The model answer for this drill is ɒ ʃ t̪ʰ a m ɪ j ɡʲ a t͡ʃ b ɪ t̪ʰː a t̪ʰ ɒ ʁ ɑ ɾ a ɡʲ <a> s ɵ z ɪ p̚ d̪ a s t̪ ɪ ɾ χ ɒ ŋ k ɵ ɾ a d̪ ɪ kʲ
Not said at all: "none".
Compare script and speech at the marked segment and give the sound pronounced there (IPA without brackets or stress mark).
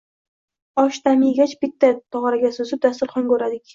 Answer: a